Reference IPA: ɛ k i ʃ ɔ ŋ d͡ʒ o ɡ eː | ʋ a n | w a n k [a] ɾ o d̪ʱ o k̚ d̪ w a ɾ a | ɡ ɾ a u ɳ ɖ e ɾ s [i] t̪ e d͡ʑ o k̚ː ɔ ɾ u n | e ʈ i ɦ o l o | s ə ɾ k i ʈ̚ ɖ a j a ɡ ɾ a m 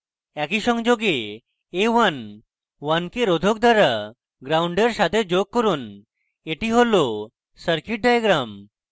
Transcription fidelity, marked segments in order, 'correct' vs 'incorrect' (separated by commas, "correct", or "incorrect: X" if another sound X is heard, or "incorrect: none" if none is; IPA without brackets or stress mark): incorrect: e, incorrect: a